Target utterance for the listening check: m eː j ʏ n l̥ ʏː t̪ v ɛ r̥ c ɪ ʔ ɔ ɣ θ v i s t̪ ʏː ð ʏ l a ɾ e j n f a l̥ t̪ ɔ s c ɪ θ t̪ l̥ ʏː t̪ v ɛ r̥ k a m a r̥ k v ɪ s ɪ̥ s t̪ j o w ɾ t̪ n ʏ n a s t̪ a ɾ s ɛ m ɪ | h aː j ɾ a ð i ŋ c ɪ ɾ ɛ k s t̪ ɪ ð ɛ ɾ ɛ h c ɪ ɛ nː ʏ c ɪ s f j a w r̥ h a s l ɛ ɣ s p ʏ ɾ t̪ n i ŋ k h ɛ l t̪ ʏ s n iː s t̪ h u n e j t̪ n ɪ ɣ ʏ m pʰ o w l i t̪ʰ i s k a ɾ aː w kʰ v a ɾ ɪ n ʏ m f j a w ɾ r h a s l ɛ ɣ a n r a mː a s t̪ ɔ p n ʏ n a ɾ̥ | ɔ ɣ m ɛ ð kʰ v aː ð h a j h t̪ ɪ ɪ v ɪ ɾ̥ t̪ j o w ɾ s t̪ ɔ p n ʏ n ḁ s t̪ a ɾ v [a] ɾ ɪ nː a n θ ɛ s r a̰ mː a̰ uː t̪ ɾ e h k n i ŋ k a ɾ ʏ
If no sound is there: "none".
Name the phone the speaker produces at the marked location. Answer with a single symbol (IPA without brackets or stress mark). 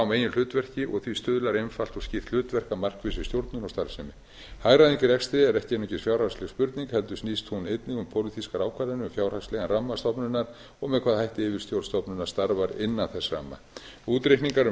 a